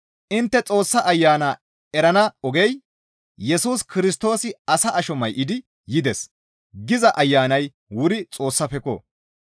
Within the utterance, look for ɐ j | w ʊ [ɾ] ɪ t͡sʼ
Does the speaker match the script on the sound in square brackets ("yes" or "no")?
yes